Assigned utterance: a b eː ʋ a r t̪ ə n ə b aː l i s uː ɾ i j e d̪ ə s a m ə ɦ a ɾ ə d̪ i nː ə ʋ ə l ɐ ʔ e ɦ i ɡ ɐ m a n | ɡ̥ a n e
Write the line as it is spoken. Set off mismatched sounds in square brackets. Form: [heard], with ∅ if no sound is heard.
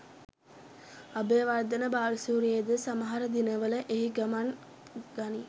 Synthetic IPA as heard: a b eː ʋ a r [d̪] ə n ə b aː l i s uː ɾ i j e d̪ ə s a m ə ɦ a ɾ ə d̪ i [n] ə ʋ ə l [ə] ʔ e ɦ i ɡ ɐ m a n | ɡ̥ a n [i]